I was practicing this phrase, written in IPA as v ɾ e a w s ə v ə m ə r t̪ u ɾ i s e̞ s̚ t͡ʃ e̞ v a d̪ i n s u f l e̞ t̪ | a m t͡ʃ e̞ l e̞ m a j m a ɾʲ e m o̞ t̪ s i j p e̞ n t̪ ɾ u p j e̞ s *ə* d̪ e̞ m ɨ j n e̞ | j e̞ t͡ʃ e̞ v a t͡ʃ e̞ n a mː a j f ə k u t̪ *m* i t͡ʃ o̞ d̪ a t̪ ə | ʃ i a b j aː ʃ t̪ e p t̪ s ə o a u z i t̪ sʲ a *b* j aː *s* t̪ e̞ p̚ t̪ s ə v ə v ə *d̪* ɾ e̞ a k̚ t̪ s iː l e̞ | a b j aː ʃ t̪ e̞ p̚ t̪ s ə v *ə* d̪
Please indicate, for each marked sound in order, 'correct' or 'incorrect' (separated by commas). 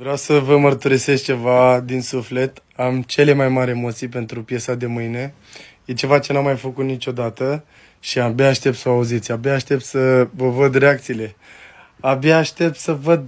incorrect, incorrect, correct, incorrect, correct, correct